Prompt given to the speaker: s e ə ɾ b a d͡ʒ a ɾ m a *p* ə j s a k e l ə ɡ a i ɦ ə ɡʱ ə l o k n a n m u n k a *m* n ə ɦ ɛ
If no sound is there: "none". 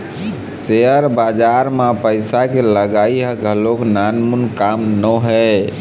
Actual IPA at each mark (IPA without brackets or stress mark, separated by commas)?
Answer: p, m